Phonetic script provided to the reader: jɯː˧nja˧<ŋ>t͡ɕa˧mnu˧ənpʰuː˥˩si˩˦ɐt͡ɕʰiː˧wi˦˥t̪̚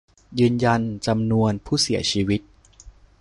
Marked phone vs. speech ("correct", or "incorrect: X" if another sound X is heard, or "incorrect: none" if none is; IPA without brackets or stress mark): incorrect: n